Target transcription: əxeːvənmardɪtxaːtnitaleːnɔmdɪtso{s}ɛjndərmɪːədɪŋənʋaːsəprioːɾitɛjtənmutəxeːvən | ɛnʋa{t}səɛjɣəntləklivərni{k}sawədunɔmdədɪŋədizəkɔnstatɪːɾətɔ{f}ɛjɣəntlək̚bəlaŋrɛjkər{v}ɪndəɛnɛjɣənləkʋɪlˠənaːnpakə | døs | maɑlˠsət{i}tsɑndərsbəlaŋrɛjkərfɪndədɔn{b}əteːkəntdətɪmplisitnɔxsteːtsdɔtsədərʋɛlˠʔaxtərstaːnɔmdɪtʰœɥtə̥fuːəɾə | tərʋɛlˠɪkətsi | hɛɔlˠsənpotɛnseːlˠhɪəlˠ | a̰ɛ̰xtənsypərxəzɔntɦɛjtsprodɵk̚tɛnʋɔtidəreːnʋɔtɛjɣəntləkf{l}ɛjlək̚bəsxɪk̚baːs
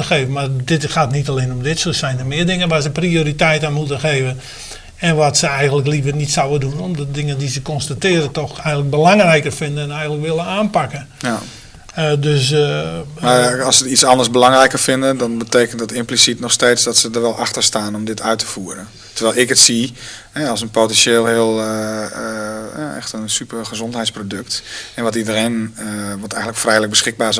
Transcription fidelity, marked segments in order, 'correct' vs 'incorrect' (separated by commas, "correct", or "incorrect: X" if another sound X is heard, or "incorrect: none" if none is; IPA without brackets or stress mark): correct, correct, incorrect: t, incorrect: x, incorrect: f, correct, correct, incorrect: r